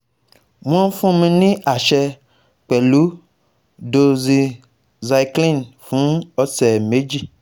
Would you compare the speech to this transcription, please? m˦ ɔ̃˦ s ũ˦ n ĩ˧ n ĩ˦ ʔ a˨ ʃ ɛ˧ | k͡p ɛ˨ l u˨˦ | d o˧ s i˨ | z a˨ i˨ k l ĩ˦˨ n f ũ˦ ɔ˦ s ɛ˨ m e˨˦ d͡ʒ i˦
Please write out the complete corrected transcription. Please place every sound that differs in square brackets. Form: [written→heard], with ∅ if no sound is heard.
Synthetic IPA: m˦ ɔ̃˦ [s→f] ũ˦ [n→m] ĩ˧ n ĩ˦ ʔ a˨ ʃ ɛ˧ | k͡p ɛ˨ l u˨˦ | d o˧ [s→z] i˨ | z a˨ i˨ k l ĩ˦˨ n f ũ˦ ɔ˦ s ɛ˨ m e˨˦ d͡ʒ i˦